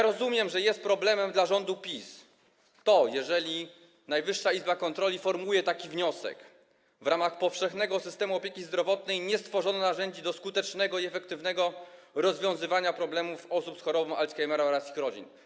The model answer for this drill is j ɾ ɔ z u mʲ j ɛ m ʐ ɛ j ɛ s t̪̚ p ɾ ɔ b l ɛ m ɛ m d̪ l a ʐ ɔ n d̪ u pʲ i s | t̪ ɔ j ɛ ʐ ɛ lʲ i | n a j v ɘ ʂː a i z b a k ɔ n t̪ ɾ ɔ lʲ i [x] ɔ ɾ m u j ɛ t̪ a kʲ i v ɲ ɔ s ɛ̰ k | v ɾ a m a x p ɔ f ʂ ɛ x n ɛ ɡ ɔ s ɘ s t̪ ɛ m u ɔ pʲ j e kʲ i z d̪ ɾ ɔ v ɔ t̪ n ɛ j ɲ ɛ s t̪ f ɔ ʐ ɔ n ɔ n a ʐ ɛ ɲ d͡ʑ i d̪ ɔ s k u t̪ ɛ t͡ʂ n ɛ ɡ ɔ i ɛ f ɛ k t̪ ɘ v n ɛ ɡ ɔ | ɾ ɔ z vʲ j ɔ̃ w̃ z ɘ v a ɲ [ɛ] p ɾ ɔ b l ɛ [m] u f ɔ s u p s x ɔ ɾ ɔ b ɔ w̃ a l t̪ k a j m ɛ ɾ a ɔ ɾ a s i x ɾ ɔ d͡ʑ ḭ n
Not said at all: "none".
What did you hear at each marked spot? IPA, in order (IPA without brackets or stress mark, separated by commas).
f, a, m